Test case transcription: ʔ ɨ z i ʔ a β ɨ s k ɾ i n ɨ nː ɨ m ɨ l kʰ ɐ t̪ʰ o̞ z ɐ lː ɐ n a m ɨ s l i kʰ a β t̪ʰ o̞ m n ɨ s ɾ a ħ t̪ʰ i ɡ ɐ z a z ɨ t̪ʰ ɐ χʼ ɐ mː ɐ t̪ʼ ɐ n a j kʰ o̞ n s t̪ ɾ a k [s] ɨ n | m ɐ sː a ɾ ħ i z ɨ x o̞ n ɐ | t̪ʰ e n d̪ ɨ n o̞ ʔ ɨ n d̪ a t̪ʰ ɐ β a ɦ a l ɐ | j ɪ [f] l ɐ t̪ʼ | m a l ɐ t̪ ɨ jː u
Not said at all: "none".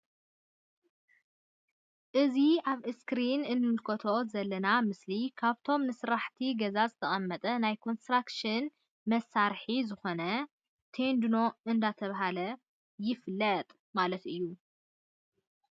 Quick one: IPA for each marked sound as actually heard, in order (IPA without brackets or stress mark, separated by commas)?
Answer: ʃ, f